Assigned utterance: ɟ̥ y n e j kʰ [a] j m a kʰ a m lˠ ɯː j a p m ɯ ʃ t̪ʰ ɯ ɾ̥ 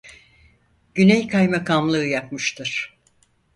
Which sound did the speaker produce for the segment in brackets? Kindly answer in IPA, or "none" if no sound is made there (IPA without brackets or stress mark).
a